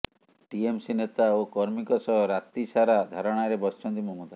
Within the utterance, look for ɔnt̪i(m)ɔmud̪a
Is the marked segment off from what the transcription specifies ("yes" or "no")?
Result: no